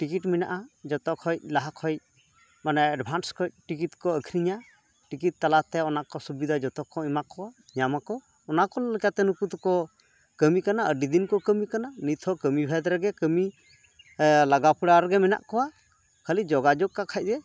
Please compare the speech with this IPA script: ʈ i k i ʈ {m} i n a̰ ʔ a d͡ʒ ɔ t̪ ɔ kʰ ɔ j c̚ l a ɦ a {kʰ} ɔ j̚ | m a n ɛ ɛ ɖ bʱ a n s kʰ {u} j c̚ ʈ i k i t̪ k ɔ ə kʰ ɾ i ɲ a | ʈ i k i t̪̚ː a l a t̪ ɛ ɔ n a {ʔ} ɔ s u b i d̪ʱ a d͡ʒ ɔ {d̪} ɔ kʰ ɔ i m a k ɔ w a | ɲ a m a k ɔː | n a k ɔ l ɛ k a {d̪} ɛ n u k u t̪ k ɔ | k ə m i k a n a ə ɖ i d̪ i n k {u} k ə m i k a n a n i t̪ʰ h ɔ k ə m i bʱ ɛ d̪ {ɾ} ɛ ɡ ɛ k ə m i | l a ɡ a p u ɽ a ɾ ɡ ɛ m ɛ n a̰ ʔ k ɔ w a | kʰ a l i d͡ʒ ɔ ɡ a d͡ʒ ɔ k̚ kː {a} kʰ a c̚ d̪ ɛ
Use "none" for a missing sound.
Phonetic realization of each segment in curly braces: m, kʰ, ɔ, k, t̪, t̪, ɔ, ɾ, a

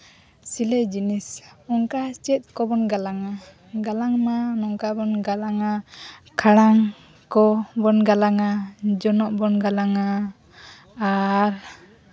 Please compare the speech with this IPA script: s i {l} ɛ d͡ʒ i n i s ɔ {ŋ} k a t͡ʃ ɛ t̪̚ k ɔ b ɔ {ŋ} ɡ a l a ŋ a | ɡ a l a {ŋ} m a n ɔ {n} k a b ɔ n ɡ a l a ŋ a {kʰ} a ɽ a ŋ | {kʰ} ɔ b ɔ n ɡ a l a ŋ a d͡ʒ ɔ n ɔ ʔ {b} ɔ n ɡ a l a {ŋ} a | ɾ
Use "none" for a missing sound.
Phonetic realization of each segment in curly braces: l, ŋ, n, ŋ, ŋ, kʰ, k, b, ŋ

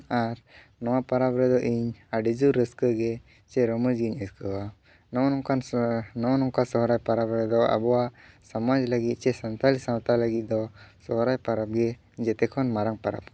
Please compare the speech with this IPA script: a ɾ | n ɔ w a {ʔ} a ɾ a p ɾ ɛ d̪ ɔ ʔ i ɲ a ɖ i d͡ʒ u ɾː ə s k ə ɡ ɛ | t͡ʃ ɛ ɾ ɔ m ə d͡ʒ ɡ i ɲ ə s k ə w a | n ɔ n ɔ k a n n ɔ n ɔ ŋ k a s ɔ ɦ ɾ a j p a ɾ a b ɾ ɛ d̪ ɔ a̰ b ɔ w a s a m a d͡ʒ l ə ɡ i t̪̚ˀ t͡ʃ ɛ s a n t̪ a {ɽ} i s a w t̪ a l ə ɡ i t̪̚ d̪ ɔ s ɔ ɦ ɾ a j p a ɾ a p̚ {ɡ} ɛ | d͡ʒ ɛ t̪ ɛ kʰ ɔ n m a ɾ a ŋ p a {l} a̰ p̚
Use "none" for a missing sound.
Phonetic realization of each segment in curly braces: p, l, ɡ, ɾ

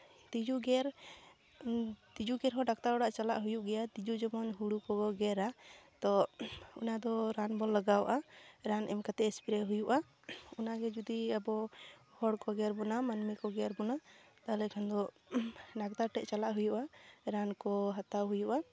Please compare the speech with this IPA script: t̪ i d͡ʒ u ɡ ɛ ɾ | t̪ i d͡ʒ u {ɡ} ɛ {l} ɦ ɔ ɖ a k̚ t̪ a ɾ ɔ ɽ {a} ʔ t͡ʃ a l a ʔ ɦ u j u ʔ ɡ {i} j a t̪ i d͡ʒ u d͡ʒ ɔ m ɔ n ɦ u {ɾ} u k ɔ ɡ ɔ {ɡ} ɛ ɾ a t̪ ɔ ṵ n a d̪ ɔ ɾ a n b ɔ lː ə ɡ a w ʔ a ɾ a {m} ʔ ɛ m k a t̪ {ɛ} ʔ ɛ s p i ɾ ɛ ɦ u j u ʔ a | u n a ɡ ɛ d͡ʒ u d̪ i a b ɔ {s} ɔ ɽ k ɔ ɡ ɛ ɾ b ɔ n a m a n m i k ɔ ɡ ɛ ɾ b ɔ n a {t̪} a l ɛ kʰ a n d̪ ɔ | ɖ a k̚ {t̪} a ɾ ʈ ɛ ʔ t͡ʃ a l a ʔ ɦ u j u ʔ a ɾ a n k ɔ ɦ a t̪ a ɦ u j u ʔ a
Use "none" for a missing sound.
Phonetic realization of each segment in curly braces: ɡ, ɾ, a, ɛ, ɽ, ɡ, n, ɛ, h, t̪, t̪

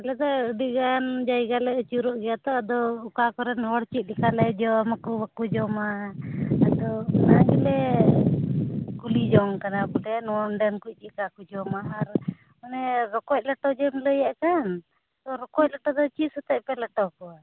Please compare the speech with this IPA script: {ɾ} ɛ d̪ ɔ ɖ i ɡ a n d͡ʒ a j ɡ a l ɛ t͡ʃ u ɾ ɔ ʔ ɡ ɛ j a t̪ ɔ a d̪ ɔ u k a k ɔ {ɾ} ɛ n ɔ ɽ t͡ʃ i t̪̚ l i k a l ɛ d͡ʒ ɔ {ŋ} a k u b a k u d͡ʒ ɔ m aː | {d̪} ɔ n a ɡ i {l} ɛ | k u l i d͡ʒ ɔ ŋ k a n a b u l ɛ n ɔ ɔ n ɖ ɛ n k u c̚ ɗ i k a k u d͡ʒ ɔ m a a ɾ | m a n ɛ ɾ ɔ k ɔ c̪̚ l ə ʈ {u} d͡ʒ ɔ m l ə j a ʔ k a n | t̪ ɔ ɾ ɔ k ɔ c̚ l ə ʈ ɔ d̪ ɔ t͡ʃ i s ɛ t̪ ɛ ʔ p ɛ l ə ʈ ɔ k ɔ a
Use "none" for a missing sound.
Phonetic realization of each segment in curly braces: l, ɾ, m, d̪, l, ɔ

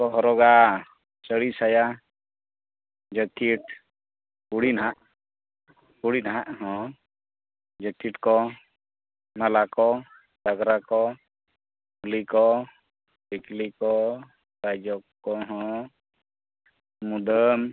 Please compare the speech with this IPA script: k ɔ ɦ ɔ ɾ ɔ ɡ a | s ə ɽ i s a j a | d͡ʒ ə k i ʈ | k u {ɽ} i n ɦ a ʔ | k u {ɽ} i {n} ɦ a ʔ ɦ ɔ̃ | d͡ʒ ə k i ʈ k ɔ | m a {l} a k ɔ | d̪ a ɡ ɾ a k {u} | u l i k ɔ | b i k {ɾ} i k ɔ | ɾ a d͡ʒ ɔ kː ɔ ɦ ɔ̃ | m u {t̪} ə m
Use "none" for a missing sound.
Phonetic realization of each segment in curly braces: ɽ, ɽ, n, l, ɔ, l, d̪

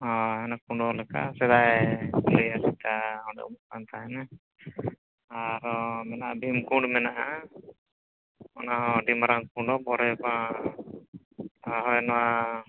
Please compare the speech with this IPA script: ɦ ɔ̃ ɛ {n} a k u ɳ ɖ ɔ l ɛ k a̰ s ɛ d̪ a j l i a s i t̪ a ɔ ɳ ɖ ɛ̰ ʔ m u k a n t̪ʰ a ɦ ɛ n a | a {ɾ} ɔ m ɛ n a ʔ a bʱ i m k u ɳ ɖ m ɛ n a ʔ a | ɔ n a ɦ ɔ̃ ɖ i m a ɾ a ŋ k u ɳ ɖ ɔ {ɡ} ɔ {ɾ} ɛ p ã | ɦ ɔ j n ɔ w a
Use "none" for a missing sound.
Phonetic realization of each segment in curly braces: n, ɾ, b, ɾ

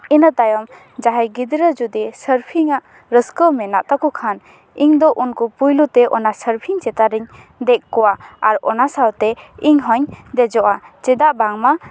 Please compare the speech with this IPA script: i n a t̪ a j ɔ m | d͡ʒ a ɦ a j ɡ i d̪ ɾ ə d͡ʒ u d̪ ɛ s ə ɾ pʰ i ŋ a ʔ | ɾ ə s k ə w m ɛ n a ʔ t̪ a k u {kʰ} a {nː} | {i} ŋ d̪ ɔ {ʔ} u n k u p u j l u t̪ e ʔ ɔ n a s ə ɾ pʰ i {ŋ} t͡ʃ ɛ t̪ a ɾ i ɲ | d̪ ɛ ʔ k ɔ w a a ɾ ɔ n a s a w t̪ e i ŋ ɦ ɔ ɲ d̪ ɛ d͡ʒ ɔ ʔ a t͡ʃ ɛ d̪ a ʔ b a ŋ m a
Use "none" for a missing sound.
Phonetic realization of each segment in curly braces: kʰ, n, i, ʔ, ŋ

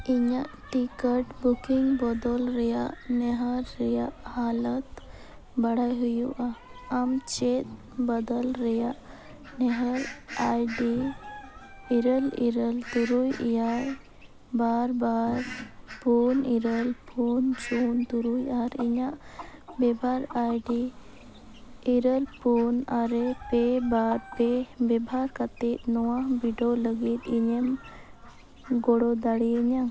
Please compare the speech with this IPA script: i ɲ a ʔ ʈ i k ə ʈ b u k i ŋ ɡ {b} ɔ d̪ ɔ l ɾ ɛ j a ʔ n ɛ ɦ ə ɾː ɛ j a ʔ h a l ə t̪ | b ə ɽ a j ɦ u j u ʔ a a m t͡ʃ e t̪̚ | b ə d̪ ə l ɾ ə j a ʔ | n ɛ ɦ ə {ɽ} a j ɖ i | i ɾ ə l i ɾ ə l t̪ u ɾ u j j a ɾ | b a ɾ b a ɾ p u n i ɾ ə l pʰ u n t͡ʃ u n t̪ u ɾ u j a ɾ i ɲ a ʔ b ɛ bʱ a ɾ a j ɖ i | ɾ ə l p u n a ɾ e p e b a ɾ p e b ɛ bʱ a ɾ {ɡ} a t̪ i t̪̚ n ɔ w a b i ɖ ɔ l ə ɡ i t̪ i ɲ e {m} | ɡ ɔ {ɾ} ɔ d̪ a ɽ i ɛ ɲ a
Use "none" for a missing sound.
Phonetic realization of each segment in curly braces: b, ɾ, k, m, ɽ

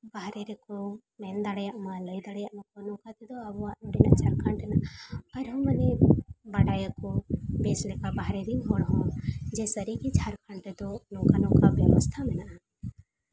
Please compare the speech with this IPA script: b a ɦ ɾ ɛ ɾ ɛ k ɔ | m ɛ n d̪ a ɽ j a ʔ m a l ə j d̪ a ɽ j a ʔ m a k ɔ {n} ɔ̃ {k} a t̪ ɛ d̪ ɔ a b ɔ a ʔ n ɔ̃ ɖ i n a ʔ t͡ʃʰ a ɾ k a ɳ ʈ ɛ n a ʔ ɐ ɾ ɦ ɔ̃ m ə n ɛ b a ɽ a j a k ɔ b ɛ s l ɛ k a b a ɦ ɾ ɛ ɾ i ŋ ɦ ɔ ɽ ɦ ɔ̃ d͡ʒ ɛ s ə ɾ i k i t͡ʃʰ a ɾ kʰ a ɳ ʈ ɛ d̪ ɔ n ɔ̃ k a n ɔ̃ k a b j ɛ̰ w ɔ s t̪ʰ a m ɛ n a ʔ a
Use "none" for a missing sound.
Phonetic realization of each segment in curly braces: n, k

